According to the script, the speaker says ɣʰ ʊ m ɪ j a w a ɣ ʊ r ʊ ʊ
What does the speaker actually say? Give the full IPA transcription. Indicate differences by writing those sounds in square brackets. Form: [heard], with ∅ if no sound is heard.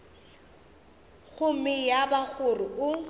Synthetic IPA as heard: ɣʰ ʊ m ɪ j a [b] a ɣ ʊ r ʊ ʊ